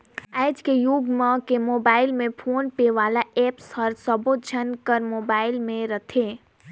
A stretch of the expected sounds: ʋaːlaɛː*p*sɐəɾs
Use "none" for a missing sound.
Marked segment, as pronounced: p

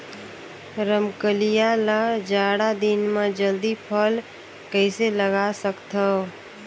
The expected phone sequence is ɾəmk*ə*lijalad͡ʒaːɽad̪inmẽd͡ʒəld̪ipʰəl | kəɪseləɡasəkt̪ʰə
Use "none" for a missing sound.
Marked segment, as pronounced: ə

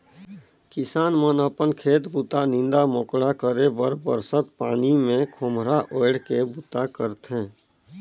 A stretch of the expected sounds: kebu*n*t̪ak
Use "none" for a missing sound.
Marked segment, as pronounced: none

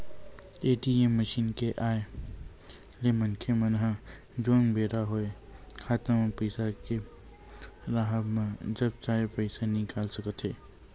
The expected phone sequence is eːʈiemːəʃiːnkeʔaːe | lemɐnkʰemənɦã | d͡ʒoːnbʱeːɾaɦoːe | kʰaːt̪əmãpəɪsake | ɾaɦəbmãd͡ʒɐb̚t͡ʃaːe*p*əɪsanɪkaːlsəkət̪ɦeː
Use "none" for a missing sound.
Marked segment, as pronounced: p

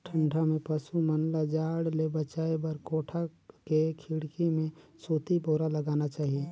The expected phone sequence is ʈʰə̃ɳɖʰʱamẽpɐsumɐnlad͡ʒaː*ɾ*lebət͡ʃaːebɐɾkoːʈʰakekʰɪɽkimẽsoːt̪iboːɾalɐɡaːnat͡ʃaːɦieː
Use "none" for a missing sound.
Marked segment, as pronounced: ɽ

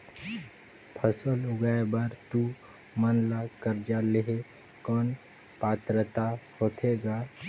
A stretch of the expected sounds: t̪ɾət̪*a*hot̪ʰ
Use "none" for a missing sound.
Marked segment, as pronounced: a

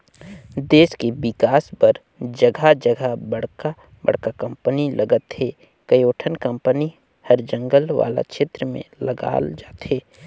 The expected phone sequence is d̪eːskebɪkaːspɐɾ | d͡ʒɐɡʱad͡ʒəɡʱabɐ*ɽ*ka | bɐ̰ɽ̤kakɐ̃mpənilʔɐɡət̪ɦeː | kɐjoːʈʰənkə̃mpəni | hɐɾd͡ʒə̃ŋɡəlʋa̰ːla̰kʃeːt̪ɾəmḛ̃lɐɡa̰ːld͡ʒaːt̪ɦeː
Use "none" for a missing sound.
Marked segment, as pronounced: ɽ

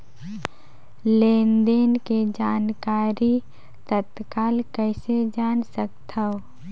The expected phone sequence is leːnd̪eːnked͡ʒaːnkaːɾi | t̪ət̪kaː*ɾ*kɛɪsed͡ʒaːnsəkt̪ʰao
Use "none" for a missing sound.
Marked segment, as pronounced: l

